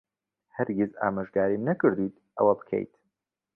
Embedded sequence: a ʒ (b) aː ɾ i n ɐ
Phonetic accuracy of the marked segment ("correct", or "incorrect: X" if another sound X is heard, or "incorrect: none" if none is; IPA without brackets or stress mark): incorrect: ɡ